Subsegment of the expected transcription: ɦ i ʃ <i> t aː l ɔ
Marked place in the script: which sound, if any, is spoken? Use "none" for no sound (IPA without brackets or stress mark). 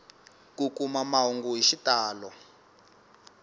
i